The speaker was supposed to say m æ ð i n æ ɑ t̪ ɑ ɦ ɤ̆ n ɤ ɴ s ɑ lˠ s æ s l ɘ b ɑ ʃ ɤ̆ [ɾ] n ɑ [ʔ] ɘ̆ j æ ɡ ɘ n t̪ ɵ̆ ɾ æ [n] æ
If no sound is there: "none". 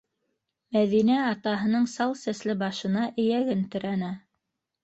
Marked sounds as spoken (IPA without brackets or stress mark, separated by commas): none, ʔ, n